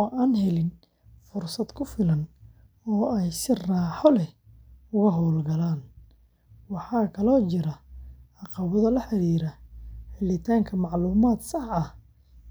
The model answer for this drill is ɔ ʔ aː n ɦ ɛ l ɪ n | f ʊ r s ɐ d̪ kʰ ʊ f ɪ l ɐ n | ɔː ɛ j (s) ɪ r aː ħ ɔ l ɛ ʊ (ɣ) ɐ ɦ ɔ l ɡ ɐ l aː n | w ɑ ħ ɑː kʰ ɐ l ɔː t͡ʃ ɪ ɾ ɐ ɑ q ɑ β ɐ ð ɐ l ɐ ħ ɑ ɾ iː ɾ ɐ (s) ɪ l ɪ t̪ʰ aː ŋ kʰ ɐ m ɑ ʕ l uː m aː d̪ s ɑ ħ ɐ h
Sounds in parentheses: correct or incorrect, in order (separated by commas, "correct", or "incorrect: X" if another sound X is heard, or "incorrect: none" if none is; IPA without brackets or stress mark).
correct, correct, incorrect: ħ